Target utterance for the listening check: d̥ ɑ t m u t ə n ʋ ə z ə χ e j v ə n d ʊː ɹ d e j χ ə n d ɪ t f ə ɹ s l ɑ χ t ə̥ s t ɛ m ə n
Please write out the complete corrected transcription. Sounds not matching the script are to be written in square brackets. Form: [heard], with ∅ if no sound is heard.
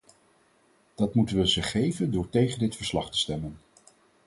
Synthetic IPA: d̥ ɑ t m u t ə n ʋ ə z ə χ e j v ə n d ʊː ɹ [t] e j χ ə n d ɪ t f ə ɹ s l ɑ χ t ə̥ s t ɛ m ə n